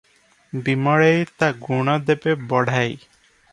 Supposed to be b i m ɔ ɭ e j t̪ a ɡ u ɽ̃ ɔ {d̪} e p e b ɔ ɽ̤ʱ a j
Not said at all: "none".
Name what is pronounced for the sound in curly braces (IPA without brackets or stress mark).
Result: d̪